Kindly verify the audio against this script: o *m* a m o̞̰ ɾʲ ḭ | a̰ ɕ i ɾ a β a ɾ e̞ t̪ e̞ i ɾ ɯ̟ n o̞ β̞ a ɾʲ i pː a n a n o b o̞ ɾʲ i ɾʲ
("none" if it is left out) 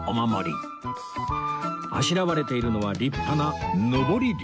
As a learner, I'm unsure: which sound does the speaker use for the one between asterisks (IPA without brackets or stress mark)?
m